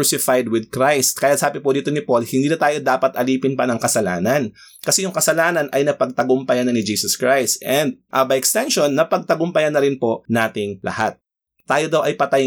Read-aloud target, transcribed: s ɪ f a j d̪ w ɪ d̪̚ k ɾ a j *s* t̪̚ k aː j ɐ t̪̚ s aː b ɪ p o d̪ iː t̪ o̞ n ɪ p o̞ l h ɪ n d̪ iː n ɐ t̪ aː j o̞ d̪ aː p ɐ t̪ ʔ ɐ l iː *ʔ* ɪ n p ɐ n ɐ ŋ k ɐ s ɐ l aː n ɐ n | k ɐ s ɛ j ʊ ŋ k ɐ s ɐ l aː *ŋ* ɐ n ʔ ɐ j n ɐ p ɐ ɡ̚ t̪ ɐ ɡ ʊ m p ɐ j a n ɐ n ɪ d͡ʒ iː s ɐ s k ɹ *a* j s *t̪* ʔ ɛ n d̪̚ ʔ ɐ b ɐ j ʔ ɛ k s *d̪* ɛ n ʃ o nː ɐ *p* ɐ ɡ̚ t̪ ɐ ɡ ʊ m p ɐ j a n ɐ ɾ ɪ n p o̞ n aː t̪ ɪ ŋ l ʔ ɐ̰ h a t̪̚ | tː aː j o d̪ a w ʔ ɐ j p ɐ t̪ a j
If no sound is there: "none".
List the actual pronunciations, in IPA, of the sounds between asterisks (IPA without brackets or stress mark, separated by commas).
s, p, n, a, t̪, t̪, p